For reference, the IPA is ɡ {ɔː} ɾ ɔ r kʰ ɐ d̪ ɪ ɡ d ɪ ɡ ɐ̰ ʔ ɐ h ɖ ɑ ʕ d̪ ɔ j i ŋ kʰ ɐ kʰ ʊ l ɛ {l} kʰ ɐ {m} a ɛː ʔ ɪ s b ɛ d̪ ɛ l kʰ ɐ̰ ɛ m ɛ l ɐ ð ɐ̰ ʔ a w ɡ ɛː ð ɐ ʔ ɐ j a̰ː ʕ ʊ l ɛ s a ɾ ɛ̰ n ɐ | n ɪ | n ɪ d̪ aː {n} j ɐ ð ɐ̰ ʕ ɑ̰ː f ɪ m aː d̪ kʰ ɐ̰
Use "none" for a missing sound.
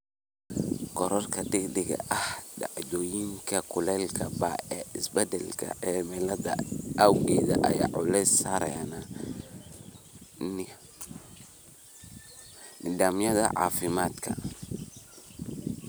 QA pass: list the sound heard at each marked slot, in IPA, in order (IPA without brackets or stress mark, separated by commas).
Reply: ɔ, l, b, m